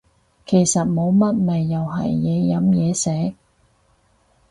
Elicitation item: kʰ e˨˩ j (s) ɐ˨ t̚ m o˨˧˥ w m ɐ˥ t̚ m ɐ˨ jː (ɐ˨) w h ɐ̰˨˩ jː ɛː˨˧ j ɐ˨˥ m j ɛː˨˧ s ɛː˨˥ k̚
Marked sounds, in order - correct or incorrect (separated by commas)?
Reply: correct, correct